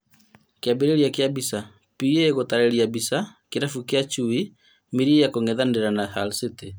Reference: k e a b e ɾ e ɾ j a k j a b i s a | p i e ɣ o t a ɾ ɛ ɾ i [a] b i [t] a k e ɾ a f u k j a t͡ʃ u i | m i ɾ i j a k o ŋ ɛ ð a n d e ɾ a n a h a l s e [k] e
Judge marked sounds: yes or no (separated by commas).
yes, no, no